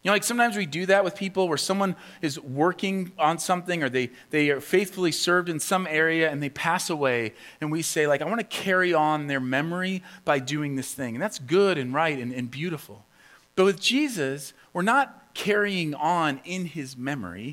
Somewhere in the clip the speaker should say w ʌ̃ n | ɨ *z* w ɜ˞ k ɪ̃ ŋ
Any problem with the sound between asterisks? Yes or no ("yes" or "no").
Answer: no